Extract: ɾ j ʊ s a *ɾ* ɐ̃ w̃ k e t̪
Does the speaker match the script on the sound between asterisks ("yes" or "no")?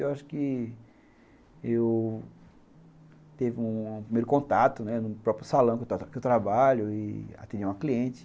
no